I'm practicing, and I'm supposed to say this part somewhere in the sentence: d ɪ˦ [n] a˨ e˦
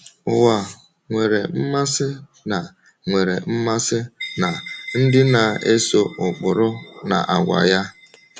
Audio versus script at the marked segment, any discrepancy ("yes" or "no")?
no